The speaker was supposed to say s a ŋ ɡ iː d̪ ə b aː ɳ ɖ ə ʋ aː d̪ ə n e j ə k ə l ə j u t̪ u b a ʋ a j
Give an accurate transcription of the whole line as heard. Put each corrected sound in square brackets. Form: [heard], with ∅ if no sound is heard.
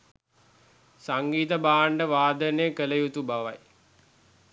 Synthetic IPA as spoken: s a ŋ ɡ iː [t̪] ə b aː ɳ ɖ ə ʋ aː d̪ ə n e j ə k ə l ə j u t̪ u b a ʋ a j